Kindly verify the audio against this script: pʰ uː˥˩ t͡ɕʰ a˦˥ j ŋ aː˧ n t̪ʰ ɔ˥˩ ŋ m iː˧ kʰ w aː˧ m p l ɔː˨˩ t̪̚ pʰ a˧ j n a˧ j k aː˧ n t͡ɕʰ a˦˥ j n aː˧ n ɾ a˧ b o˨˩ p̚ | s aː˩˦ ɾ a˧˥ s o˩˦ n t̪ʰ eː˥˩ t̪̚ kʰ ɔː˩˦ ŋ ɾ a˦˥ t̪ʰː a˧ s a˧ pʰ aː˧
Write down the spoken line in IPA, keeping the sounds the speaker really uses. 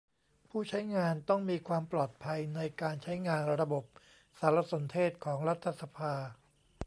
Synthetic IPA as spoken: pʰ uː˥˩ t͡ɕʰ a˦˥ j ŋ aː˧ n t̪ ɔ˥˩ ŋ m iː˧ kʰ w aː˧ m p l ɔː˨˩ t̪̚ pʰ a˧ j n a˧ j k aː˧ n t͡ɕʰ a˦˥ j ŋ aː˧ n ɾ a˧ b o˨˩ p̚ | s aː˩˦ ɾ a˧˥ s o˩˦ n t̪ʰ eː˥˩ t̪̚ kʰ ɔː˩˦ ŋ ɾ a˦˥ t̪ʰː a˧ s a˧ pʰ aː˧